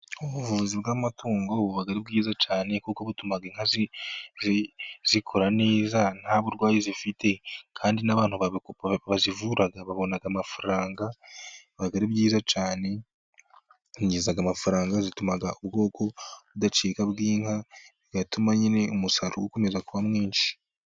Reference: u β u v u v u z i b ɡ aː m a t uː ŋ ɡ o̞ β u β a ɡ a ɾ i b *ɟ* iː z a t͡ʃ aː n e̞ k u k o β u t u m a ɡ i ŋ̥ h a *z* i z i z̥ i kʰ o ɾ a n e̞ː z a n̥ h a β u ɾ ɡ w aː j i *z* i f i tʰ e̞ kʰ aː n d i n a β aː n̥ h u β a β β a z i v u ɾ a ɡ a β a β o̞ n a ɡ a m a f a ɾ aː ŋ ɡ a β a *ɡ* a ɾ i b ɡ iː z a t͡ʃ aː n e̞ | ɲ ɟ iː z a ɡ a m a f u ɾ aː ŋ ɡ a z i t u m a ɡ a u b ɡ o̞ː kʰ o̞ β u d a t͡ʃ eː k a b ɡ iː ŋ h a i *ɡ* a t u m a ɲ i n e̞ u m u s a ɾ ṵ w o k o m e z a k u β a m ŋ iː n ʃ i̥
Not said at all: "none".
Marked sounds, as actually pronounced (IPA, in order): ɡ, z, z, ɡ, ɡ

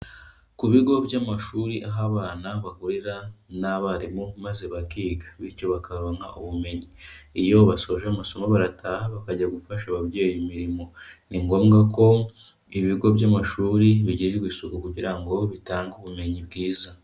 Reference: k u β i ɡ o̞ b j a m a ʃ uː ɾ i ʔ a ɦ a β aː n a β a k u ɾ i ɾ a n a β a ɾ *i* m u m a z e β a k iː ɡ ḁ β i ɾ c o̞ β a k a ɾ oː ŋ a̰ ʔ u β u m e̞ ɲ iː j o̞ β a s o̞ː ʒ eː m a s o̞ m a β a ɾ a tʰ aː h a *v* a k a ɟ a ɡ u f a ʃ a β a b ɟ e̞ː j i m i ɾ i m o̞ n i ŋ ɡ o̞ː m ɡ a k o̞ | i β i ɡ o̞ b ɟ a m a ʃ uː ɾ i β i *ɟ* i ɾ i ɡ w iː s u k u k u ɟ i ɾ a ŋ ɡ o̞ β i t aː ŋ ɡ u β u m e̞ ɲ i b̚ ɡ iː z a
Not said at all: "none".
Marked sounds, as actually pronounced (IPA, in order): i, β, ɟ

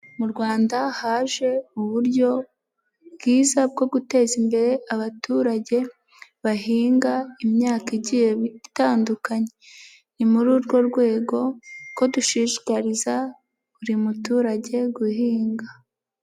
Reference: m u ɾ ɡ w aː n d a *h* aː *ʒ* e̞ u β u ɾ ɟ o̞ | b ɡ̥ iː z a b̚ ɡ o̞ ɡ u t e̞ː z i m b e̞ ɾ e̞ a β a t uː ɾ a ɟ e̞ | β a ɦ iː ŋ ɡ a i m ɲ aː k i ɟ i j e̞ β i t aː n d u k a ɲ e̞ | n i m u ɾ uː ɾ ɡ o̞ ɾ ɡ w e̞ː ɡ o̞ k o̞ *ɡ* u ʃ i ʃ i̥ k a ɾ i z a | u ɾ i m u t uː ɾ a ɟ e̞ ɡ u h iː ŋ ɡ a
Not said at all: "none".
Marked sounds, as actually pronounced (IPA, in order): h, ʒ, d

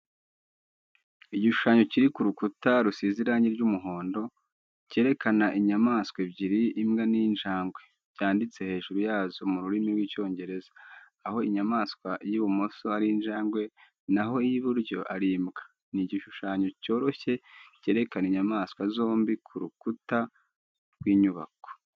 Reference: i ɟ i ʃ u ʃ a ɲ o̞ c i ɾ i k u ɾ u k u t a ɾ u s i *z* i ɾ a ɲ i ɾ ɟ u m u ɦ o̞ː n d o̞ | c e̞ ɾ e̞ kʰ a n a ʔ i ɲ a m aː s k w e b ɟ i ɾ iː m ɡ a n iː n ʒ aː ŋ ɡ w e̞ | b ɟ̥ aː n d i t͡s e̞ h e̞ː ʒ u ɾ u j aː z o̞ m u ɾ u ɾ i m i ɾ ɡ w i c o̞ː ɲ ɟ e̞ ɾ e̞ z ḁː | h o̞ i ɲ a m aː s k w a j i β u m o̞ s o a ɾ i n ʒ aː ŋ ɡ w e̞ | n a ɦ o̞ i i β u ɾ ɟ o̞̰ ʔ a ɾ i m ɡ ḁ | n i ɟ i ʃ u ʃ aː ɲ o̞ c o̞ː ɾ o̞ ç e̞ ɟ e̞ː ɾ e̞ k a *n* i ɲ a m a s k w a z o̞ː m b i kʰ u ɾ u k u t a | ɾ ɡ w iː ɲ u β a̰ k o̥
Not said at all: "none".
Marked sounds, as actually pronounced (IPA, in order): z, n

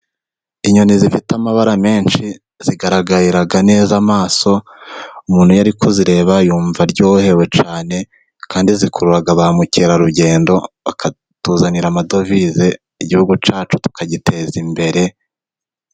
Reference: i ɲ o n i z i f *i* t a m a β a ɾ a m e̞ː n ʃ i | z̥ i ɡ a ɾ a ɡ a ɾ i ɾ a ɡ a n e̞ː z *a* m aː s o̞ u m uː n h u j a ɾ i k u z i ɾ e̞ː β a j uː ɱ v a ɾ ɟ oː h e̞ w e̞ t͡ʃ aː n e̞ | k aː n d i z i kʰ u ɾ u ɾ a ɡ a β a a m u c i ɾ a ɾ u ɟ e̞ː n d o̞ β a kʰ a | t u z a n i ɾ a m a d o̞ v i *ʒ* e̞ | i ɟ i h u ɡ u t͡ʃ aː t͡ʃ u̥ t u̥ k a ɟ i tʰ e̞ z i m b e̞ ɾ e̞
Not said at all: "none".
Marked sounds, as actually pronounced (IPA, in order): i, a, z

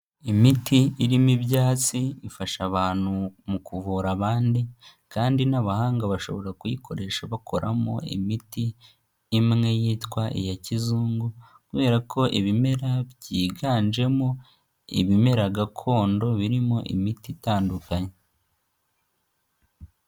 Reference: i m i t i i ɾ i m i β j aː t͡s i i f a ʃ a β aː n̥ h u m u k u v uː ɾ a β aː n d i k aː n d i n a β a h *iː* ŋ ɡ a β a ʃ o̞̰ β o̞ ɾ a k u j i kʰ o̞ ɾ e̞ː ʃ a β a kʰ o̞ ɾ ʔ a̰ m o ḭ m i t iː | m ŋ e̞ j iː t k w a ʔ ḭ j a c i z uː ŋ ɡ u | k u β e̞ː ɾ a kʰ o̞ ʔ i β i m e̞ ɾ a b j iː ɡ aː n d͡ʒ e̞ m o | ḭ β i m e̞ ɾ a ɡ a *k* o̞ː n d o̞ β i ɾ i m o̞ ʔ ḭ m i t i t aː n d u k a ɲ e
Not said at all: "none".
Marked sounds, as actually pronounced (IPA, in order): aː, kʰ

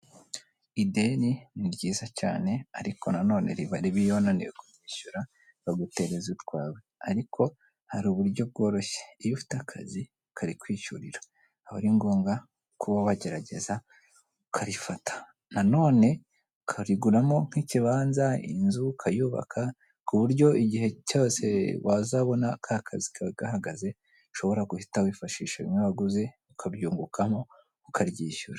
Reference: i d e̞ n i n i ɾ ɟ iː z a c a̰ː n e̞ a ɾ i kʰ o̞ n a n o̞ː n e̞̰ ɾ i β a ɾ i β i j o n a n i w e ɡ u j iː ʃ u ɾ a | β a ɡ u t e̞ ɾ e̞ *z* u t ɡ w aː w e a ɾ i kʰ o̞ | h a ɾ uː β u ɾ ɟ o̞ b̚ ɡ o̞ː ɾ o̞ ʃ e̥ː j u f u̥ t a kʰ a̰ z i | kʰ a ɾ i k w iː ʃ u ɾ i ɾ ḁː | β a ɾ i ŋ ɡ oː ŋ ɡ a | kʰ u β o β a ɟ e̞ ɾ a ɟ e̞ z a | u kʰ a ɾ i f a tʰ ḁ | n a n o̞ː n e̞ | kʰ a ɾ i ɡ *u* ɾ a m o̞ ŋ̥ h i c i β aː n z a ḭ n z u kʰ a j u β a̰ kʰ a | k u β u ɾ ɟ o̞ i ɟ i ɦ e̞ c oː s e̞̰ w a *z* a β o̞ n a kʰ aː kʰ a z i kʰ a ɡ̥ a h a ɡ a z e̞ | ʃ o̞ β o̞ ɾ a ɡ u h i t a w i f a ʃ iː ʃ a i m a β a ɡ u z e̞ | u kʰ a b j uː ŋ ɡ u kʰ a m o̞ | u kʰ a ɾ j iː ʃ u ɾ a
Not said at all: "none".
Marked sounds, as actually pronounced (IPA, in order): z, u, z

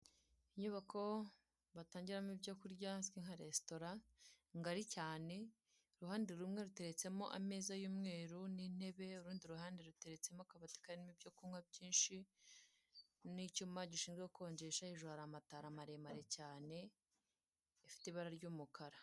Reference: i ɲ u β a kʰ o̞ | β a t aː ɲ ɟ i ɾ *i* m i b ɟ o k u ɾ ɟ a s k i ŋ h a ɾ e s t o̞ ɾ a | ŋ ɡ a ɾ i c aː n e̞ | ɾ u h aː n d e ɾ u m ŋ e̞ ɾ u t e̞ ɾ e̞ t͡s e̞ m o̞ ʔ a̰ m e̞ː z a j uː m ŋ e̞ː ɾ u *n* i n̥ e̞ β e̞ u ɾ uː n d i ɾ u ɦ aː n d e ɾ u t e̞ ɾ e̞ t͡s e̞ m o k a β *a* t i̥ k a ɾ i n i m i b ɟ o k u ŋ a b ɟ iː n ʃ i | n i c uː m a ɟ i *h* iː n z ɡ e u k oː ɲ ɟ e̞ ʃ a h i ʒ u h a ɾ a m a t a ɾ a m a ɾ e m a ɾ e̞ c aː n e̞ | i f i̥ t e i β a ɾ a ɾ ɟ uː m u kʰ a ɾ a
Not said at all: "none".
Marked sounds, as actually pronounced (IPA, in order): a, n, a, ʃ

